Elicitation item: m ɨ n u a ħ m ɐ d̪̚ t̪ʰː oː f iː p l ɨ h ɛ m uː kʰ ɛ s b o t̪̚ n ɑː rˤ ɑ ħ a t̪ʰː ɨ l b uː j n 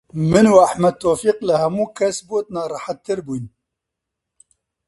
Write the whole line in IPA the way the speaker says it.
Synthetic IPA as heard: m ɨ n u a ħ m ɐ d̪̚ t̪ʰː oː f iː q l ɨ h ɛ m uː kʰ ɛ s b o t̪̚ n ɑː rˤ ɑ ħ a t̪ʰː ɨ ɾ b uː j n